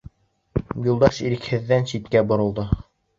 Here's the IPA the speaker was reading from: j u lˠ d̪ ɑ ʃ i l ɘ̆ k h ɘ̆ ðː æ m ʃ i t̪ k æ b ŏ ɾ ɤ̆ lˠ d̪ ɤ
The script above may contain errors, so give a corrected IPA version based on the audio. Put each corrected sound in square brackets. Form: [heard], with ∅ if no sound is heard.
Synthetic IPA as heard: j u lˠ d̪ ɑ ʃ i [ɾ] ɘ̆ k h ɘ̆ ðː æ [n] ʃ i t̪ k æ b ŏ ɾ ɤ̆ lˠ d̪ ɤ